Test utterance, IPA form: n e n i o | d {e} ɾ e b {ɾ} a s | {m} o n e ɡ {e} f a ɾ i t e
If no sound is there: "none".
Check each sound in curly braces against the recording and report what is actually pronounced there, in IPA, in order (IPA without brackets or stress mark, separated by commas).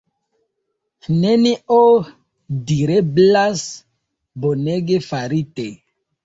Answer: i, l, b, e